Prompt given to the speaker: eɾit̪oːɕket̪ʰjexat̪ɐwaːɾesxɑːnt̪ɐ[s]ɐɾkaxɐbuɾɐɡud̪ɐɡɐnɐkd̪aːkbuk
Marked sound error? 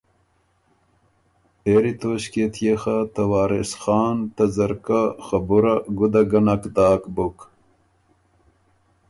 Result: yes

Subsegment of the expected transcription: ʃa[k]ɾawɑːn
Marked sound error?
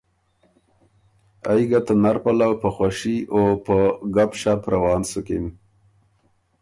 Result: yes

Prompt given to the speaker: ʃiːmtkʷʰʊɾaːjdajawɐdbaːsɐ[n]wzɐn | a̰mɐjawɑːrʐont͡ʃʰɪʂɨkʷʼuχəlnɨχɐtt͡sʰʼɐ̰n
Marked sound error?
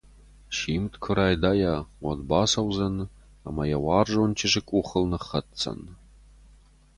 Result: yes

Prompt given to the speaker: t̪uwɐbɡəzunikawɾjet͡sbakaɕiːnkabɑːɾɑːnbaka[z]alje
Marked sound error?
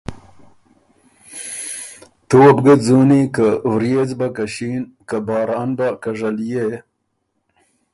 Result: yes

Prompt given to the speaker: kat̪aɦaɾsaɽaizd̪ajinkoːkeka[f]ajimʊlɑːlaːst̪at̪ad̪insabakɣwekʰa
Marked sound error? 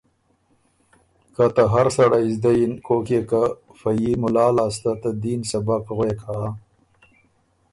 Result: no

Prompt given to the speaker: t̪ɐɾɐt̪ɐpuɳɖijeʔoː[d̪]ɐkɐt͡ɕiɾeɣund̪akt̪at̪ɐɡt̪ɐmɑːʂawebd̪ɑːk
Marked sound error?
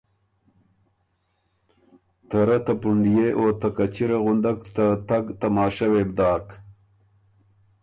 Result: yes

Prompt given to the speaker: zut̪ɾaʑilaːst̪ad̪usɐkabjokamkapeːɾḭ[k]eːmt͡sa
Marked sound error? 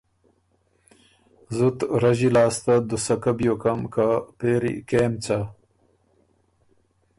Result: no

